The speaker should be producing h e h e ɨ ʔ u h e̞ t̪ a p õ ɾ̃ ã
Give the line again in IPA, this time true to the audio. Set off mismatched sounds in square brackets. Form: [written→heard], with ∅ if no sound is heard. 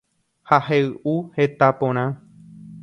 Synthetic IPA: h [e→a] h e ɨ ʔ u h e̞ t̪ a p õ ɾ̃ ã